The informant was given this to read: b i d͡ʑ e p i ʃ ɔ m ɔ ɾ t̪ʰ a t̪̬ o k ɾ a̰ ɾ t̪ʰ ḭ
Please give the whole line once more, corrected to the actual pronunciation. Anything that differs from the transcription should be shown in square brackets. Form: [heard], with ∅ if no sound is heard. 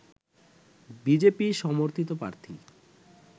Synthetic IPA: b i d͡ʑ e p i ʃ ɔ m [o] ɾ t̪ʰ [i] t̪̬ o [p] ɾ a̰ ɾ t̪ʰ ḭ